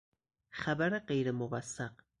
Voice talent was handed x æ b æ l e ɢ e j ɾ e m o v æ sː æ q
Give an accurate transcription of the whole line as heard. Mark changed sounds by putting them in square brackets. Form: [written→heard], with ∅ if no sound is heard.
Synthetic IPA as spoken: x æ b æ [l→ɾ] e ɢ e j ɾ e m o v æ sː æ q